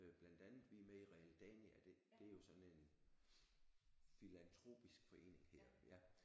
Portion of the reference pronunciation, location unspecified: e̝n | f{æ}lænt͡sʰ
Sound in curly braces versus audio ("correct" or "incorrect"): incorrect